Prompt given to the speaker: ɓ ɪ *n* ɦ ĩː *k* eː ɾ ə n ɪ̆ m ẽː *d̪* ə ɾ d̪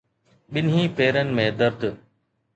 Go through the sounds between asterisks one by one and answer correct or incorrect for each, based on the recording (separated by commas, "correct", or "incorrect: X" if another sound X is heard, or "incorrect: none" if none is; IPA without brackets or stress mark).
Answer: correct, incorrect: p, correct